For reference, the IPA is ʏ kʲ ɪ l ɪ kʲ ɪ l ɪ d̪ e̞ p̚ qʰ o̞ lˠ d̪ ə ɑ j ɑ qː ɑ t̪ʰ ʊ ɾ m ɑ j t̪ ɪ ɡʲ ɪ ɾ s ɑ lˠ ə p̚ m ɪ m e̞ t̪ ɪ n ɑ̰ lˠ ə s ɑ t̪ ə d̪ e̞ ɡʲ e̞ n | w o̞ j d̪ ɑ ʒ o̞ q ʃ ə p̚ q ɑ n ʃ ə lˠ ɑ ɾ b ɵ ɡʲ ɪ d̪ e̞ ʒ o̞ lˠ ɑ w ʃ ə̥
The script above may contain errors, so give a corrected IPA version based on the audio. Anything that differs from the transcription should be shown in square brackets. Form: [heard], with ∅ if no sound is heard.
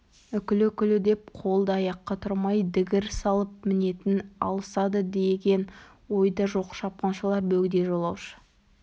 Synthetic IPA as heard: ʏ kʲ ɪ l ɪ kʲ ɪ l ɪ d̪ e̞ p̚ qʰ o̞ lˠ d̪ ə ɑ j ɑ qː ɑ t̪ʰ ʊ ɾ m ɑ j [d̪] ɪ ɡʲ ɪ ɾ s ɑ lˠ ə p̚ m ɪ [n] e̞ t̪ ɪ n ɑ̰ lˠ ə s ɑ [d̪] ə d̪ e̞ ɡʲ e̞ n | w o̞ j d̪ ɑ ʒ o̞ q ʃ [ɑ] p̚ q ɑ n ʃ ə lˠ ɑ ɾ b ɵ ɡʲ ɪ d̪ e̞ ʒ o̞ lˠ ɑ w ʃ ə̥

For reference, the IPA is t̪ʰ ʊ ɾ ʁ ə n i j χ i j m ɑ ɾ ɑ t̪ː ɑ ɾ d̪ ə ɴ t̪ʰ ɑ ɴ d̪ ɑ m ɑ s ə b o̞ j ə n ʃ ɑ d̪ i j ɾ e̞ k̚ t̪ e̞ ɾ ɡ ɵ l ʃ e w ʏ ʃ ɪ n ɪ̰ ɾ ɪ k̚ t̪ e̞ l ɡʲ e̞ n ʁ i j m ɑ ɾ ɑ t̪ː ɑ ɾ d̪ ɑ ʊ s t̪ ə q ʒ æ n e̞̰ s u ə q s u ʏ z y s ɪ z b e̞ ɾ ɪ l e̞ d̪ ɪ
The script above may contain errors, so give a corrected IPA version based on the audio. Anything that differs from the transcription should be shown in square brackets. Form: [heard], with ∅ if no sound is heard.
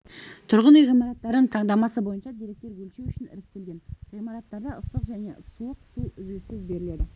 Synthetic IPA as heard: t̪ʰ ʊ ɾ ʁ ə n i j [ʁ] i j m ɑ ɾ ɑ t̪ː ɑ ɾ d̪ ə ɴ t̪ʰ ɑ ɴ d̪ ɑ m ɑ s ə b o̞ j ə n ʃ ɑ d̪ i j ɾ e̞ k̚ t̪ e̞ ɾ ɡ ɵ l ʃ e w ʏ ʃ ɪ n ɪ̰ ɾ ɪ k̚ t̪ e̞ l ɡʲ e̞ n ʁ i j m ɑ ɾ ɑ t̪ː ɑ ɾ d̪ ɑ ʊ s t̪ ə q ʒ æ n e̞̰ s u ə q s u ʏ z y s ɪ z b e̞ ɾ ɪ l e̞ d̪ ɪ

